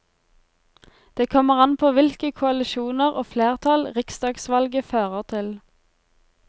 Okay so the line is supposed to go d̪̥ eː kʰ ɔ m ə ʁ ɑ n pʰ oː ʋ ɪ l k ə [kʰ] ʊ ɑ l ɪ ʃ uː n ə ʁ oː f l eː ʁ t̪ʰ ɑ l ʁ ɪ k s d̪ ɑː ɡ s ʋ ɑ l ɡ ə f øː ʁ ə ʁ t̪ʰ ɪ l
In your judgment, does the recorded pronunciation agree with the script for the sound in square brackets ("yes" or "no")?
yes